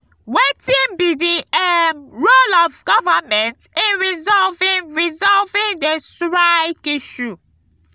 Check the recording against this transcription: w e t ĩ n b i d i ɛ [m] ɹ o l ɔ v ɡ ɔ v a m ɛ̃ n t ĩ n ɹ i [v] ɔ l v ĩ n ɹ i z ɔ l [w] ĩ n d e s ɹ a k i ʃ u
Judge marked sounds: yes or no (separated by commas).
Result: yes, no, no